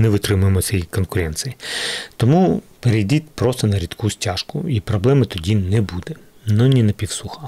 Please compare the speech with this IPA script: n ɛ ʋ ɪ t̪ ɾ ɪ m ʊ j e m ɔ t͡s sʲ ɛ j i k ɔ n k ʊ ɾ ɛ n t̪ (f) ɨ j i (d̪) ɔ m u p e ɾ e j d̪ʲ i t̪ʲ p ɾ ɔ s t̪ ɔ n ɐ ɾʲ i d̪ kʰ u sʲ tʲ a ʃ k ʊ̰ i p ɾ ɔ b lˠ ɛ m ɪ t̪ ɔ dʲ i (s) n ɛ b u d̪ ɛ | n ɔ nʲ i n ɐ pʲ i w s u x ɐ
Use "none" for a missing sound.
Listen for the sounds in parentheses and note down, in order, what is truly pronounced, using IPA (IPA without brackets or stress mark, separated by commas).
s, t̪, none